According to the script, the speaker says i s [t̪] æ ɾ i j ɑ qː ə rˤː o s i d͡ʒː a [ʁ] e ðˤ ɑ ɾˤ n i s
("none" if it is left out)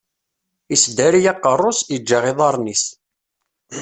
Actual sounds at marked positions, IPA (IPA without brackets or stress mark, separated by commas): d̪, ʁ